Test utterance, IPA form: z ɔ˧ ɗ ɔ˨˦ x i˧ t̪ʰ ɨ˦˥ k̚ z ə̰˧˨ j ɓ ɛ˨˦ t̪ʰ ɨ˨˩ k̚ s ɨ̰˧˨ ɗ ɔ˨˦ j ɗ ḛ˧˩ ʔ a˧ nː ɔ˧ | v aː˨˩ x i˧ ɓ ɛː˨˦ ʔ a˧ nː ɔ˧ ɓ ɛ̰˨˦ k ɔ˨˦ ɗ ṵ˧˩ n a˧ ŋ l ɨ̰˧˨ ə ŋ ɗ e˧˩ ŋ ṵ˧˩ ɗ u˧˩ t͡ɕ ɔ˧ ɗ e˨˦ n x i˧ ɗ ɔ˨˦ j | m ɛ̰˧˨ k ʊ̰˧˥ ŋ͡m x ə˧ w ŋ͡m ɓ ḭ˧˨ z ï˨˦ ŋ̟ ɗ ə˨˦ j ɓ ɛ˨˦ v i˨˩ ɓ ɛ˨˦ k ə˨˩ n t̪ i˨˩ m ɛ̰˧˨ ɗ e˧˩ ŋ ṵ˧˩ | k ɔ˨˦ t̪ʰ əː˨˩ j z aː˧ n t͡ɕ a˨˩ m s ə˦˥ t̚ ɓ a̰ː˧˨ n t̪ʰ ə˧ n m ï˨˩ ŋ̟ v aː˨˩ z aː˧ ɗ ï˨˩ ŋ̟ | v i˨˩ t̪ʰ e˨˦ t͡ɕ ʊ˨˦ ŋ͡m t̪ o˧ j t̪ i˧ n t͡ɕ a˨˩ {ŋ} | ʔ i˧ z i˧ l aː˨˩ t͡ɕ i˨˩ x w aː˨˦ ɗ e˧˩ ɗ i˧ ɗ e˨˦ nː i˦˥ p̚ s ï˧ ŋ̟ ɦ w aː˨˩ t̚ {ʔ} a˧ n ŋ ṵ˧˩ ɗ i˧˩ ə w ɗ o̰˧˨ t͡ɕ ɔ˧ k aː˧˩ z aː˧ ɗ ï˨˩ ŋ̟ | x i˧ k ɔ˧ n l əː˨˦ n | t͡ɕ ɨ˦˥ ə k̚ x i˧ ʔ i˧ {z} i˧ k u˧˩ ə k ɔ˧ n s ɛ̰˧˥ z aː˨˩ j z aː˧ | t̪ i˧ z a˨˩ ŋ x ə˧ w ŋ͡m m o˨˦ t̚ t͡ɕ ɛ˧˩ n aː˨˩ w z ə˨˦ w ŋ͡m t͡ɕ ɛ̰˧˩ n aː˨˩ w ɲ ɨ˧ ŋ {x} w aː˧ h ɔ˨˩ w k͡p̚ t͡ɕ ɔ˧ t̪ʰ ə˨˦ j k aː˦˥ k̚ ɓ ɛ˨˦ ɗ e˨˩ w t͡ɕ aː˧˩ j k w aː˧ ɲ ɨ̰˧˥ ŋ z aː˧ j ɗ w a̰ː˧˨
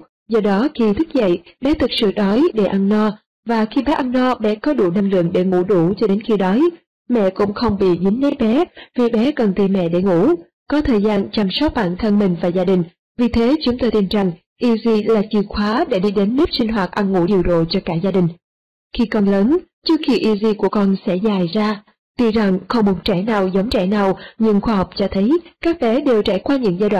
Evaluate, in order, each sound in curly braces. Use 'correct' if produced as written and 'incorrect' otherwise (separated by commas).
correct, correct, correct, correct